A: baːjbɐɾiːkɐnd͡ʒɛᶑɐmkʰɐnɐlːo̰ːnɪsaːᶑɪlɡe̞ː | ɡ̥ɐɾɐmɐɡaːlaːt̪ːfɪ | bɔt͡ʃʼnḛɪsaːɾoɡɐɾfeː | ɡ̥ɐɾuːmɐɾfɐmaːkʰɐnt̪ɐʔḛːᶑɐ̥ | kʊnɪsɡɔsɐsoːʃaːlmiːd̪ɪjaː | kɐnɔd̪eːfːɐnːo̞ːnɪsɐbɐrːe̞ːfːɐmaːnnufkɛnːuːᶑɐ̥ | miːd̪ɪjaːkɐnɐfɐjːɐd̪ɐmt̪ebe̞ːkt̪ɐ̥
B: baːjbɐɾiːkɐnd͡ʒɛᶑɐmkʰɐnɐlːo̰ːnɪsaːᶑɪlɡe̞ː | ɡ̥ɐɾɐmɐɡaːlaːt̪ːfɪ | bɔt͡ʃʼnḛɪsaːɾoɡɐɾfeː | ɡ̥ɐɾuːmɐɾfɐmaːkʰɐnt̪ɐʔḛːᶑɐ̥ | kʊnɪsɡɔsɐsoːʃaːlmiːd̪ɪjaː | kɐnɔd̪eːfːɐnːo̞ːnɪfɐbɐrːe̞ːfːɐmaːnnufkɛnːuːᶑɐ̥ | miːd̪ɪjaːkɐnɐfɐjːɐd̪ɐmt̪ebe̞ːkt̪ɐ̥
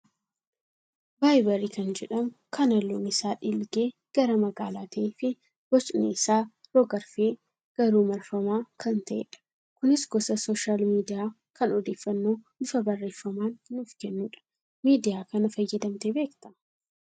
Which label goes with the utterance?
B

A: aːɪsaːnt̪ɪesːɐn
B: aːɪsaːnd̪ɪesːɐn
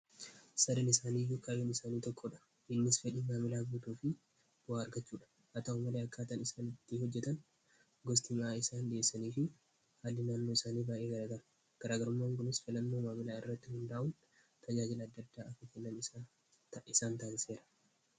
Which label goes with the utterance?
B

